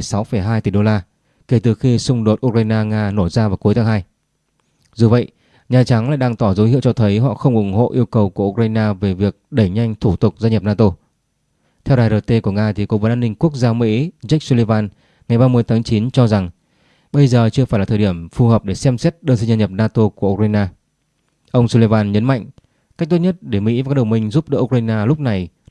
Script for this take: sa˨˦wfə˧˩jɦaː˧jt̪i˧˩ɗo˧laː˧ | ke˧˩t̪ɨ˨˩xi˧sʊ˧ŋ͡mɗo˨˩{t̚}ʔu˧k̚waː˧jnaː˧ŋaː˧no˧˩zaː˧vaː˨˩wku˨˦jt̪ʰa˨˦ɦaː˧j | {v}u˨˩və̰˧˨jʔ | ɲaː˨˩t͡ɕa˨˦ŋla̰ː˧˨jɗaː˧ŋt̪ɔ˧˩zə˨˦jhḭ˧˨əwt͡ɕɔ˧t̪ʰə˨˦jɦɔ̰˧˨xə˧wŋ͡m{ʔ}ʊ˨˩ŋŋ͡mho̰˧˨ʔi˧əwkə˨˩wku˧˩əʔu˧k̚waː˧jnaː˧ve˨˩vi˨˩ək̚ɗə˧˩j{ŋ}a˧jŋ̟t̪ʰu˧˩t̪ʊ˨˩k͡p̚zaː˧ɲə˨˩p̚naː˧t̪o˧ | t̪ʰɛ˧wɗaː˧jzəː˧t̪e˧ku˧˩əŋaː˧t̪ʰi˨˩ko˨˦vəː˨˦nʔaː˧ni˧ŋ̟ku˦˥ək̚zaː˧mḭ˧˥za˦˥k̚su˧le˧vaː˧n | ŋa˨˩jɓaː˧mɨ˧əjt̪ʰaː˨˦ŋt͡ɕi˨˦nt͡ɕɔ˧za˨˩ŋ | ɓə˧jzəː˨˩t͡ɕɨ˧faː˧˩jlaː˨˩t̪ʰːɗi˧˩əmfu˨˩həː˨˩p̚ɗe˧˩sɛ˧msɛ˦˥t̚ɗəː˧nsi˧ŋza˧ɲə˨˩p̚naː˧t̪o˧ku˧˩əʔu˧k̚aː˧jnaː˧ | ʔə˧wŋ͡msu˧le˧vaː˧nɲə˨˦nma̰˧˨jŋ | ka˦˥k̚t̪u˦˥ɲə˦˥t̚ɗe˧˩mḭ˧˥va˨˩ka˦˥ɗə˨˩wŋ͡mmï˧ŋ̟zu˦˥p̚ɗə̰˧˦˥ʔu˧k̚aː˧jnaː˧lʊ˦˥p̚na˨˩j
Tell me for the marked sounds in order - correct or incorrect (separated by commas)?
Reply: correct, incorrect, correct, incorrect